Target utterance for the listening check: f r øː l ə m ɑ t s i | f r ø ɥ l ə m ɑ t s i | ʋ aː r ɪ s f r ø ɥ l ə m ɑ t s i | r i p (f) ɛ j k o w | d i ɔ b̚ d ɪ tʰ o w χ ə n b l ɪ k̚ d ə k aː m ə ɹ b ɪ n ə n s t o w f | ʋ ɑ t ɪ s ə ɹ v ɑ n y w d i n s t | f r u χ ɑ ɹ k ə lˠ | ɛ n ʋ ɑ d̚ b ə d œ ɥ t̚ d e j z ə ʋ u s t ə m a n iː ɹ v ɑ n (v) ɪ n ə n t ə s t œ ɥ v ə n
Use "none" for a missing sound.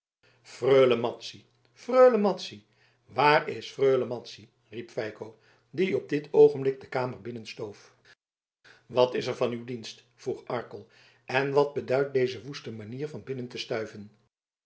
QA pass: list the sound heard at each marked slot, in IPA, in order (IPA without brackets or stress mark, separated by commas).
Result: f, b